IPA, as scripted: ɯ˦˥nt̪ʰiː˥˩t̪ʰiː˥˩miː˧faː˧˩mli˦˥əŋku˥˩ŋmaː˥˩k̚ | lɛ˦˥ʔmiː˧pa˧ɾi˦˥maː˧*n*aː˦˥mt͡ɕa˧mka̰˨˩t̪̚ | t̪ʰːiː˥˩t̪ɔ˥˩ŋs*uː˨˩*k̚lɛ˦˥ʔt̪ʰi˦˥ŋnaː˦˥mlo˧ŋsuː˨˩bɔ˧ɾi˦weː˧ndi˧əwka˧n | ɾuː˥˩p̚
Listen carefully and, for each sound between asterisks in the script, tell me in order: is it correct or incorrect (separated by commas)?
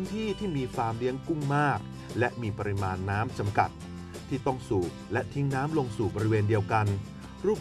incorrect, correct